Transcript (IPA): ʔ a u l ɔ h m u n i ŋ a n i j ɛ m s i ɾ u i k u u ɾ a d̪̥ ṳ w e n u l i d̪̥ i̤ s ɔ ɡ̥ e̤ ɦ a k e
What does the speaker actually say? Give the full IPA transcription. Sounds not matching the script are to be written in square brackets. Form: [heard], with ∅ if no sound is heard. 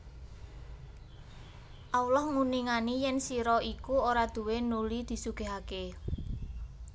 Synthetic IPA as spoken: ʔ a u l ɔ h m u n i ŋ a n i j ɛ [n] s i ɾ [ɔ] i k u [o] ɾ a d̪̥ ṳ w e n u l i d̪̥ i̤ s [u] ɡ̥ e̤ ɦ a k e

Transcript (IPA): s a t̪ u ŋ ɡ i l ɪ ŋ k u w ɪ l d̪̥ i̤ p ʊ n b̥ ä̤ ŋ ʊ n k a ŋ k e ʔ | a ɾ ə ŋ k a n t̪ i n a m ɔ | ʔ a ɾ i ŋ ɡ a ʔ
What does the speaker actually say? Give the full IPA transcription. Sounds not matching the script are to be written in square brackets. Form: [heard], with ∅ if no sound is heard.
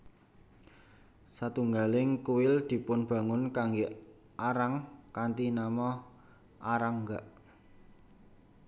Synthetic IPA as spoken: s a t̪ u ŋ ɡ [a] l ɪ ŋ k u w ɪ l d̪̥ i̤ p ʊ n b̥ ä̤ ŋ ʊ n k a ŋ [ɡ] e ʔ | a ɾ [a] ŋ k a n t̪ i n a m ɔ | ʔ a ɾ [a] ŋ ɡ a ʔ

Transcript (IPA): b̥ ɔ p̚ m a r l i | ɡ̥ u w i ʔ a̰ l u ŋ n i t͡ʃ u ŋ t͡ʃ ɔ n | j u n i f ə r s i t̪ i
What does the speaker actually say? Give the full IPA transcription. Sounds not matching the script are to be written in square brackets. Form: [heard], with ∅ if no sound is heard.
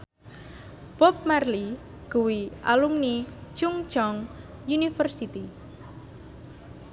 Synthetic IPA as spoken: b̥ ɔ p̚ m a r l i | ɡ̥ u w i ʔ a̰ l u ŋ n i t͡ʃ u ŋ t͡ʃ ɔ [ŋ] | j u n i f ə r s i t̪ i

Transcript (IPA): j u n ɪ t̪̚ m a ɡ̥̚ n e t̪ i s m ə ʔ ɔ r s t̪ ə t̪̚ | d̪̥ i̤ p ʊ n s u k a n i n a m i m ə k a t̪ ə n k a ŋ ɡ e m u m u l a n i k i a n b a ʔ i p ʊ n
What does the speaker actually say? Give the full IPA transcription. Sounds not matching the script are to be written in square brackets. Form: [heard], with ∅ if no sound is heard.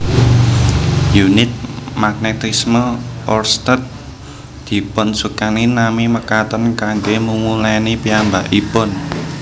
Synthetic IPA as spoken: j u n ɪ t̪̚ m a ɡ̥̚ n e t̪ i s m ə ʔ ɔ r s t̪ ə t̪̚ | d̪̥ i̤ p ʊ n s u k a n i n a m i m ə k a t̪ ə n k a ŋ ɡ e m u m u l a n i [p] i a [m] b a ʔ i p ʊ n

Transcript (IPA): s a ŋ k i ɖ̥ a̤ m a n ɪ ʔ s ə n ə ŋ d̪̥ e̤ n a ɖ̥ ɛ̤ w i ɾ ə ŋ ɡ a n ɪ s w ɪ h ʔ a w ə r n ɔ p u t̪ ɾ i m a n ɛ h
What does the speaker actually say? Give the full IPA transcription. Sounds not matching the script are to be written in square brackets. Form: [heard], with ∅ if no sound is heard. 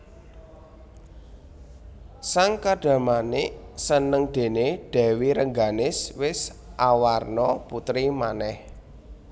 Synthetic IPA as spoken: s a ŋ k [a] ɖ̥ a̤ m a n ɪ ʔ s ə n ə ŋ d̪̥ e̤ n [e] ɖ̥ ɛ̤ w i ɾ ə ŋ ɡ a n ɪ s w ɪ [s] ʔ a w [a] r n ɔ p u t̪ ɾ i m a n ɛ h

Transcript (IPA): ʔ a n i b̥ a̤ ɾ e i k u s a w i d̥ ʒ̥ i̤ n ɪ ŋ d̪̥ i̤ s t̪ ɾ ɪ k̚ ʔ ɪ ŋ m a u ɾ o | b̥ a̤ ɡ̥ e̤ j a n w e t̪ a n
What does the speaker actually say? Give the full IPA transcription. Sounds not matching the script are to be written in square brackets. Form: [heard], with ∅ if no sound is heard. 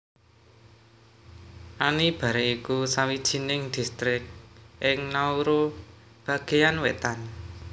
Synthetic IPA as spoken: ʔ a n i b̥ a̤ ɾ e i k u s a w i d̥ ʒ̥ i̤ n ɪ ŋ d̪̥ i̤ s t̪ ɾ ɪ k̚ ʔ ɪ ŋ [n] a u ɾ o | b̥ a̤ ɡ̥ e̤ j a n w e t̪ a n

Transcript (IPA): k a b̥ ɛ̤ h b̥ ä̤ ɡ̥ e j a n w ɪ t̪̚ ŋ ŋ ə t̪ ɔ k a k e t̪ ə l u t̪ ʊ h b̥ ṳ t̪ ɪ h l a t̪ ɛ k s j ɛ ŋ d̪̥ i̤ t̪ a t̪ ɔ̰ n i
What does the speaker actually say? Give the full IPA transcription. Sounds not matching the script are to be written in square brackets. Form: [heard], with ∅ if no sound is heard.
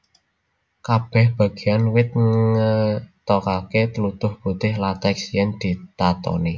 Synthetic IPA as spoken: k a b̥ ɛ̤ h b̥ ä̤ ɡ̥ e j a n w ɪ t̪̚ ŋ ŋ ə t̪ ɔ k a k e t̪ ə l u t̪ ʊ h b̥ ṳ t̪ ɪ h l a t̪ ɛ k s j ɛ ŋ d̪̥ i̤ t̪ a t̪ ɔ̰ n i

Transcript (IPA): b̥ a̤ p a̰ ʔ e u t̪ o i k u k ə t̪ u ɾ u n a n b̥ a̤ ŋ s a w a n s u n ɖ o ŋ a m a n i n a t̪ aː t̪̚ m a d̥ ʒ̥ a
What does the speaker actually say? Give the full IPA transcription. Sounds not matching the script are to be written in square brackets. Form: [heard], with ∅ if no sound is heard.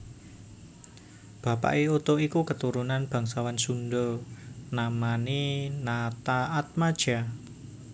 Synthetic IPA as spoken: b̥ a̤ p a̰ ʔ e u t̪ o i k u k ə t̪ u ɾ u n a n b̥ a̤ ŋ s a w a n s u n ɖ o [n] a m a n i n a t̪ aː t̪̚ m a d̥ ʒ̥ a

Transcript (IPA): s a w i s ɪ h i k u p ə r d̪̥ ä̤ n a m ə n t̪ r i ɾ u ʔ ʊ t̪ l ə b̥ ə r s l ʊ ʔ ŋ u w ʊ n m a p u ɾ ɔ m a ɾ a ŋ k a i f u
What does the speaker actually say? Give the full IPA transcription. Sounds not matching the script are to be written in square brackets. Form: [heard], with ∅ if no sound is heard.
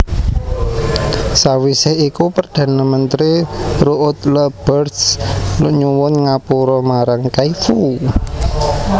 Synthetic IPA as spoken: s a w i s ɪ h i k u p ə r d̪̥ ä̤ n a m ə n t̪ [ɾ] i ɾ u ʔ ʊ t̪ l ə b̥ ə r s l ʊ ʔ [ɲ] u w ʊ n [ŋ] a p u ɾ ɔ m a ɾ a ŋ k a i f u

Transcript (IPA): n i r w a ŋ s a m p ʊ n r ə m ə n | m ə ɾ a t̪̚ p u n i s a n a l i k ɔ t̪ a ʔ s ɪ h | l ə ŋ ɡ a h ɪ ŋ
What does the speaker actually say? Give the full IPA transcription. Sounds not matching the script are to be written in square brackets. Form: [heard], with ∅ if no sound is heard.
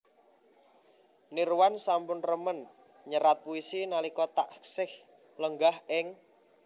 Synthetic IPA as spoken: n i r w a [n] s a m p ʊ n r ə m ə n | [ɲ] ə ɾ a t̪̚ p u [∅] i s [i] n a l i k ɔ t̪ a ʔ s ɪ h | l ə ŋ ɡ a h ɪ ŋ

